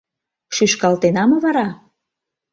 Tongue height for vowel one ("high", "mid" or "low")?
high